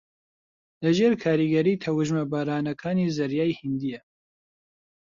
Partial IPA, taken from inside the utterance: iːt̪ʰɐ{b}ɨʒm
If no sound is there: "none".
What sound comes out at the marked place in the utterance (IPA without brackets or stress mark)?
w